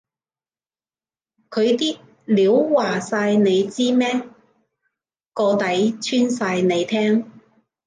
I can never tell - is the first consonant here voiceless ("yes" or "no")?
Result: yes